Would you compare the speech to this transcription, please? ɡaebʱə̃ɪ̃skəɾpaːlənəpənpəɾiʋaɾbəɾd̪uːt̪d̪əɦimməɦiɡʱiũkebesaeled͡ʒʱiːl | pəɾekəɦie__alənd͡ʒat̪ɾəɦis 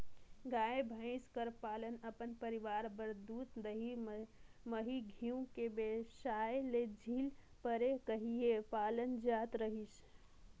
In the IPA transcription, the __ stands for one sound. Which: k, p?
p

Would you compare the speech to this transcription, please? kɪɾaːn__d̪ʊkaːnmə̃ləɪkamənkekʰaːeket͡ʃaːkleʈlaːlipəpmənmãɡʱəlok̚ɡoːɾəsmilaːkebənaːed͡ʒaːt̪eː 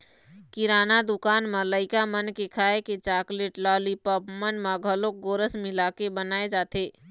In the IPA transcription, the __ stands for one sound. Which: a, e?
a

